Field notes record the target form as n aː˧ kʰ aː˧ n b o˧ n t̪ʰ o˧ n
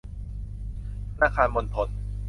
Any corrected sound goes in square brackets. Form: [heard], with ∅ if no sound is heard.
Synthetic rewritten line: n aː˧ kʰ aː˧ n [m] o˧ n t̪ʰ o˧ n

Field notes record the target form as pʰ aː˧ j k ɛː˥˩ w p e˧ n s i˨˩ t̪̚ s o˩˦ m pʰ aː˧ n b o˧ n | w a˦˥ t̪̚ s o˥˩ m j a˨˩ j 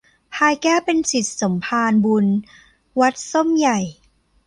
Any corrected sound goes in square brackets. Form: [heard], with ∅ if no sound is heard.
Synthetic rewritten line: pʰ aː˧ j k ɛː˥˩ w p e˧ n s i˨˩ t̪̚ s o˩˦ m pʰ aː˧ n b [u˧] n | w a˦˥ t̪̚ s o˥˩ m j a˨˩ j

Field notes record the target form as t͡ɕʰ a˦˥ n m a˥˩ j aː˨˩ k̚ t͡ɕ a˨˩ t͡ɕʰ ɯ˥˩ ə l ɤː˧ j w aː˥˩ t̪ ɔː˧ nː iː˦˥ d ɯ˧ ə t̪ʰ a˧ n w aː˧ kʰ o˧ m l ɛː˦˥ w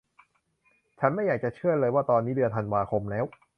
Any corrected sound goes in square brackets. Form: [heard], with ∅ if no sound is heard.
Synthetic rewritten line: t͡ɕʰ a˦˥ n m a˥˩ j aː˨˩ k̚ t͡ɕ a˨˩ t͡ɕʰ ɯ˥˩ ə l ɤː˧ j w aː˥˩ t̪ ɔː˧ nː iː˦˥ d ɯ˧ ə t̪ʰ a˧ n w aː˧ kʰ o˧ m l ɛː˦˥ w

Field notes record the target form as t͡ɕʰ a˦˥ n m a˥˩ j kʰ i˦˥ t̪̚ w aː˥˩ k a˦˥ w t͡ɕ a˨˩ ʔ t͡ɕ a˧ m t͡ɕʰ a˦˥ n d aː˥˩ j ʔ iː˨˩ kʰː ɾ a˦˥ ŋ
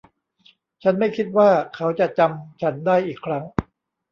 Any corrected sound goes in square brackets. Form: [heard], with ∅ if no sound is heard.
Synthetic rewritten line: t͡ɕʰ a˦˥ n m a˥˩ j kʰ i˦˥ t̪̚ w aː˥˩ [kʰ] a˦˥ w t͡ɕ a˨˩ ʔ t͡ɕ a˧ m t͡ɕʰ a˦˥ n d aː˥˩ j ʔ iː˨˩ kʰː ɾ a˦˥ ŋ

